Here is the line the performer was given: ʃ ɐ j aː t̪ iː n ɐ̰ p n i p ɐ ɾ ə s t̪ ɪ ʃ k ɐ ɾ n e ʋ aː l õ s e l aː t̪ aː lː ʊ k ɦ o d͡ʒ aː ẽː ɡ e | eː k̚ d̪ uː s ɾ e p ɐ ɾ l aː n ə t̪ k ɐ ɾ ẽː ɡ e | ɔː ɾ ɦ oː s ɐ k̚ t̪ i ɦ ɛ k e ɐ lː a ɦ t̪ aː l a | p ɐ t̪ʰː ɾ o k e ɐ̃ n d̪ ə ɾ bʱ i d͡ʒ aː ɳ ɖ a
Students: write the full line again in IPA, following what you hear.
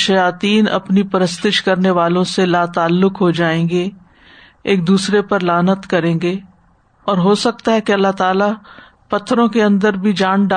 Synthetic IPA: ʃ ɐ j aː t̪ iː n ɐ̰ p n i p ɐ ɾ ə s t̪ ɪ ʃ k ɐ ɾ n e ʋ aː l õ s e l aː t̪ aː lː ʊ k ɦ o d͡ʒ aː ẽː ɡ e | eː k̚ d̪ uː s ɾ e p ɐ ɾ l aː n ə t̪ k ɐ ɾ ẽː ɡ e | ɔː ɾ ɦ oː s ɐ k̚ t̪ a ɦ ɛ k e ɐ lː a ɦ t̪ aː l a | p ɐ t̪ʰː ɾ õ k e ɐ̃ n d̪ ə ɾ bʱ i d͡ʒ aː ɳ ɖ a